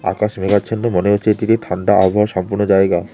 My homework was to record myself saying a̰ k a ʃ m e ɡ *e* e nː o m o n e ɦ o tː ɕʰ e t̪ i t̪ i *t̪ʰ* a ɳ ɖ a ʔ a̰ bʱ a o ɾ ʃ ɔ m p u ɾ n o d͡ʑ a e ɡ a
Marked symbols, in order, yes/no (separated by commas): no, yes